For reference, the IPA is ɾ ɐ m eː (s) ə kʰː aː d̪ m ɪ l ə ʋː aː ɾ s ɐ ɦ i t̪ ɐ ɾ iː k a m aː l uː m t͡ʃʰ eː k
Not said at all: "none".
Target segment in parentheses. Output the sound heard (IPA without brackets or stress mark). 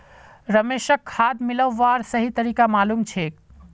ʃ